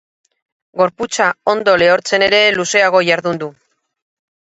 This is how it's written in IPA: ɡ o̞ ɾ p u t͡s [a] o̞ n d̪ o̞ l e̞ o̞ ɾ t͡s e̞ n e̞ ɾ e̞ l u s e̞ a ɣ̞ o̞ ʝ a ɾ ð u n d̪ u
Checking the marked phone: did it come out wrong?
no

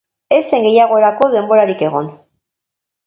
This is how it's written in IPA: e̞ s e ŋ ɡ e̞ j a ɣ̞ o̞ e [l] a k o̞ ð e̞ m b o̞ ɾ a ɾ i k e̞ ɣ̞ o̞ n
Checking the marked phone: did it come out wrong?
yes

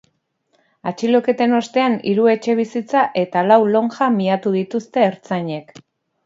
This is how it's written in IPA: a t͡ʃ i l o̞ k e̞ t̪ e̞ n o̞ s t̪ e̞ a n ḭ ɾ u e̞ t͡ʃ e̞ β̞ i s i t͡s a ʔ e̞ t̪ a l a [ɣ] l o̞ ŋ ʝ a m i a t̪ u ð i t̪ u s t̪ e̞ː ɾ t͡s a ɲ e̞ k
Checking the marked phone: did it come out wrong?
yes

